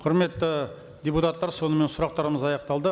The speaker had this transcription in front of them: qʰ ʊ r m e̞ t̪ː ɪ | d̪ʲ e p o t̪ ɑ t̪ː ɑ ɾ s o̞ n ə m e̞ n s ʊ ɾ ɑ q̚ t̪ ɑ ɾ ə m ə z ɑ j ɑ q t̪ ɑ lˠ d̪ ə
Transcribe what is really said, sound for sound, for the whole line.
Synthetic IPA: qʰ ʊ ɾ m e̞ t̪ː ɪ | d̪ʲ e p u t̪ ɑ t̪ː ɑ ɾ s o̞ n ə m e̞ n s ʊ ɾ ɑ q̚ t̪ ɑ ɾ ə m ə z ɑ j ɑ q t̪ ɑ lˠ d̪ ə